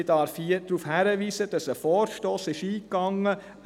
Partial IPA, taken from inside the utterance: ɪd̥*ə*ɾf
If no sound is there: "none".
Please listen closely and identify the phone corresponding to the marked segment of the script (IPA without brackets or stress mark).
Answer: ɑ